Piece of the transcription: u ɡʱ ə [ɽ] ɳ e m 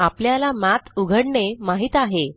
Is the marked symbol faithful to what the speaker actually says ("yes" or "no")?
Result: yes